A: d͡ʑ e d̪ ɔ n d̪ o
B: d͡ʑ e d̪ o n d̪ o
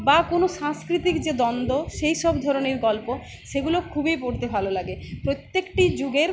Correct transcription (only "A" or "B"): A